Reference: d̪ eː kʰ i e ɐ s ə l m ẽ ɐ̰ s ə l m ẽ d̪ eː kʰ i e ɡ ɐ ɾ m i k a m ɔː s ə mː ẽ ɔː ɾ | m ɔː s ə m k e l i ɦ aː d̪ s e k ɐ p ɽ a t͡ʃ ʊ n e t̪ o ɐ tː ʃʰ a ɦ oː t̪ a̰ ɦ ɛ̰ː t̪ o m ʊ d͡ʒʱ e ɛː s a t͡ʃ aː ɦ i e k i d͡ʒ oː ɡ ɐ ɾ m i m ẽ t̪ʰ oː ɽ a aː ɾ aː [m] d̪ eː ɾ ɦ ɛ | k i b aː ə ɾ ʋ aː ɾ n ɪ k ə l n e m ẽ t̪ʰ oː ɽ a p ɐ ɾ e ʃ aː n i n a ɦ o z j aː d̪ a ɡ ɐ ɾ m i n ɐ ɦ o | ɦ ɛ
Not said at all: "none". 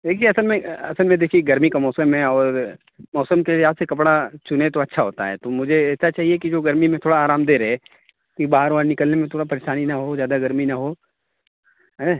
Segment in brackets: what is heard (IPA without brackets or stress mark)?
m